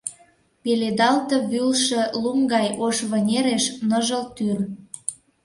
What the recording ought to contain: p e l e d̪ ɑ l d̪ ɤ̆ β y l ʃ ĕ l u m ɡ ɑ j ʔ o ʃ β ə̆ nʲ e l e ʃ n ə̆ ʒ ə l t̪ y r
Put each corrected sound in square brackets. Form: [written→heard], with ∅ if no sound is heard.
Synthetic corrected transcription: p e l e d̪ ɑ l [d̪→t̪] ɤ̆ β y l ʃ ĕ l u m ɡ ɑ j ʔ o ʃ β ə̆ nʲ e [l→ɾ] e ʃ n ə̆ ʒ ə l t̪ y r